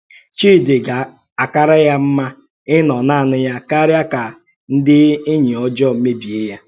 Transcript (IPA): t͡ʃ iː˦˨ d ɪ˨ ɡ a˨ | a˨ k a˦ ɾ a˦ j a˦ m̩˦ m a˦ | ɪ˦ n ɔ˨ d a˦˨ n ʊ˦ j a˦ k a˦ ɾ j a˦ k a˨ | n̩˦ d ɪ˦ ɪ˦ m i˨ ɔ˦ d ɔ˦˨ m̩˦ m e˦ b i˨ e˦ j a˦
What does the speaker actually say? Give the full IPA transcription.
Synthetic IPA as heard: t͡ʃ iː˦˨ d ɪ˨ ɡ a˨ | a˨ k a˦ ɾ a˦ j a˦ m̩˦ m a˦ | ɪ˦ n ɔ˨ n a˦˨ n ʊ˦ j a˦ k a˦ ɾ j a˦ k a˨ | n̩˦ d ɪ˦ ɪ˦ ɲ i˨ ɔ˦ d͡ʒ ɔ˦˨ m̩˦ m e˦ b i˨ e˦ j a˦